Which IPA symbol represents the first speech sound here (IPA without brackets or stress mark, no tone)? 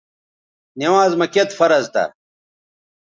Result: n